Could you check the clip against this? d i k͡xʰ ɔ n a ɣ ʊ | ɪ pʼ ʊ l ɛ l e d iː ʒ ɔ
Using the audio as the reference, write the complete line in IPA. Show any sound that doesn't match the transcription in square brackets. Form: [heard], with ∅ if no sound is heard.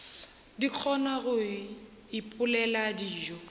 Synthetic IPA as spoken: d i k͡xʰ ɔ n a ɣ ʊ | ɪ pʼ ʊ l ɛ l [a] d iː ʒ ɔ